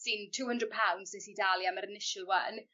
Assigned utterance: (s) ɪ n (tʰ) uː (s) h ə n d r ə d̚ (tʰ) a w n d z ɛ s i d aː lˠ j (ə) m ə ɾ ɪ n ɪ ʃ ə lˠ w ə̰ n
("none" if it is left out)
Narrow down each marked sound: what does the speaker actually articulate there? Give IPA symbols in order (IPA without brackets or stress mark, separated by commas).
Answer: s, tʰ, none, pʰ, a